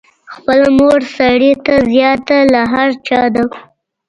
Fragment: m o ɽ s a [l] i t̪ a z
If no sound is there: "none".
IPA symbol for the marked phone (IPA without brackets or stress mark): ɽ